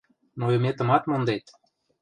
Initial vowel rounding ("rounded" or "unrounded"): rounded